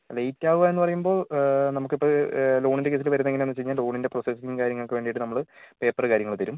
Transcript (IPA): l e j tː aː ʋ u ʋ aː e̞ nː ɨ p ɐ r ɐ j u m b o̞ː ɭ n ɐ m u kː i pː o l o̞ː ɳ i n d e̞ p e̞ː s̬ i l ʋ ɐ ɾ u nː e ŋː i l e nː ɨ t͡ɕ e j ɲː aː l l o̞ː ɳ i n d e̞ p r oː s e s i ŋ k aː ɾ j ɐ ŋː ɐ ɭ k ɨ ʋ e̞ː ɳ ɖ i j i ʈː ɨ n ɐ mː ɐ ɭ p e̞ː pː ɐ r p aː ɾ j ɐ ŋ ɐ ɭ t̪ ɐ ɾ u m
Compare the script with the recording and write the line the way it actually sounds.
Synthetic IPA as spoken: l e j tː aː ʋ u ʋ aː e̞ nː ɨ p ɐ r ɐ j u m b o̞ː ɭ n ɐ m u kː i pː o l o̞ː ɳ i n d e̞ k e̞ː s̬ i l ʋ ɐ ɾ u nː e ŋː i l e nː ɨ t͡ɕ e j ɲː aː l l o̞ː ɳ i n d e̞ p r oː s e s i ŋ k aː ɾ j ɐ ŋː ɐ ɭ k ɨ ʋ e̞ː ɳ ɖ i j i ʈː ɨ n ɐ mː ɐ ɭ p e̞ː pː ɐ r k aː ɾ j ɐ ŋ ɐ ɭ t̪ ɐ ɾ u m